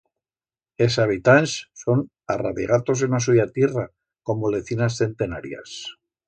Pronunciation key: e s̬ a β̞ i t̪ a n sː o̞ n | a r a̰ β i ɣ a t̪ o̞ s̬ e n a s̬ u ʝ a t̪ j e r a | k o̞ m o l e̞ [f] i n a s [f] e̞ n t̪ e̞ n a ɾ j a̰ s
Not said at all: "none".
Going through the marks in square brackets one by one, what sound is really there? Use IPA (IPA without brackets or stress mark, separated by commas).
θ, θ